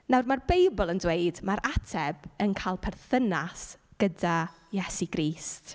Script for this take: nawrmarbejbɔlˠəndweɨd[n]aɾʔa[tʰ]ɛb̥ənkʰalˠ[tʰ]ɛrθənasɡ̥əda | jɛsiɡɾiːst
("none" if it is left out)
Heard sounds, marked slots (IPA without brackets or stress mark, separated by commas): m, tʰ, pʰ